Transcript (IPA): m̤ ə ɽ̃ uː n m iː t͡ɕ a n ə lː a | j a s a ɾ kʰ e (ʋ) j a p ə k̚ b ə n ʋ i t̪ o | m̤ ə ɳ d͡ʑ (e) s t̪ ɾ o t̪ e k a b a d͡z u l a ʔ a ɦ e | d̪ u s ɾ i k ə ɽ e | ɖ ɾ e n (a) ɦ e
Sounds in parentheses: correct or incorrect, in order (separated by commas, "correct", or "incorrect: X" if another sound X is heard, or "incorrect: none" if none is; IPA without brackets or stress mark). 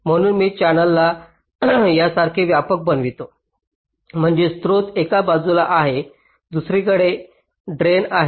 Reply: correct, correct, correct